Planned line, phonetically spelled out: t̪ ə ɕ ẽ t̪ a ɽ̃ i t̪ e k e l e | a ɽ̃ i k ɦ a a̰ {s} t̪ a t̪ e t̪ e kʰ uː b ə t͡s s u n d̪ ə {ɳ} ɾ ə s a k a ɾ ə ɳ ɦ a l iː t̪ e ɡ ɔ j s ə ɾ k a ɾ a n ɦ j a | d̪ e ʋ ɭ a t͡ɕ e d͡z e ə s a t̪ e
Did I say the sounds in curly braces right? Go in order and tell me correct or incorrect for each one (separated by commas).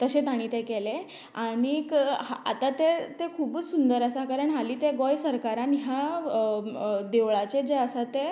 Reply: incorrect, incorrect